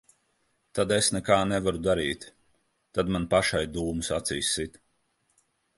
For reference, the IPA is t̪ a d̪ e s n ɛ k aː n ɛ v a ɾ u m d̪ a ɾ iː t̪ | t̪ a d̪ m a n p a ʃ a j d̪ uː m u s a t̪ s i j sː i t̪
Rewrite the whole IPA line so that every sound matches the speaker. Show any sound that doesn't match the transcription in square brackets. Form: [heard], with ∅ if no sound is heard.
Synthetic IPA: t̪ a d̪ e s n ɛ k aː n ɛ v a ɾ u [∅] d̪ a ɾ iː t̪ | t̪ a d̪ m a n p a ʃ a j d̪ uː m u s a t̪ s i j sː i t̪